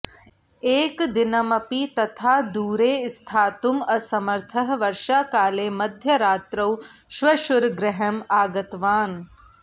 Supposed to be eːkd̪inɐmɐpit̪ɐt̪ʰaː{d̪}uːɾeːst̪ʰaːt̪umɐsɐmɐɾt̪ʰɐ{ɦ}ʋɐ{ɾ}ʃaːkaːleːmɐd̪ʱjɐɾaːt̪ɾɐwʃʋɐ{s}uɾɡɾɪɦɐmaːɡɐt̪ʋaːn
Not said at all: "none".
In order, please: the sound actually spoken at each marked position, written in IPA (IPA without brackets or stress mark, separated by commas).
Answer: d̪, ɦ, ɾ, ʃ